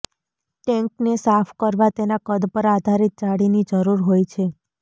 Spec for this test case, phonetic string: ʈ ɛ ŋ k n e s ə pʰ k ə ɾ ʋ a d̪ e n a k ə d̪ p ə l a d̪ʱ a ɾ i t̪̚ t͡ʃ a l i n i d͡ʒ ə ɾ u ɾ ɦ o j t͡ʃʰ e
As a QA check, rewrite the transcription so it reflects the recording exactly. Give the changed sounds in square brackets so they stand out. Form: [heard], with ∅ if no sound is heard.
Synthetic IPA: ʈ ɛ ŋ k n e s [a] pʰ k ə ɾ ʋ a [t̪] e n a k ə d̪ p ə [ɾ] a d̪ʱ a ɾ i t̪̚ t͡ʃ a [ɽ] i n i d͡ʒ ə ɾ u ɾ ɦ o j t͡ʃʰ e